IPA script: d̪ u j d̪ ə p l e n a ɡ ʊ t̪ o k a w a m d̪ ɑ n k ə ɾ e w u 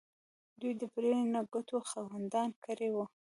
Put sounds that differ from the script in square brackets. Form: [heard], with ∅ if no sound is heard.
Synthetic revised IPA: d̪ u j d̪ ə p [ɾ] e n a ɡ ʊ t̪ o [x] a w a [n] d̪ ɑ n k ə ɾ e w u